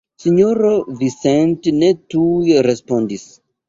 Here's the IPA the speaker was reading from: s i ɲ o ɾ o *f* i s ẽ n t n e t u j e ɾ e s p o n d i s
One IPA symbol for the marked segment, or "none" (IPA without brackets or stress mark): v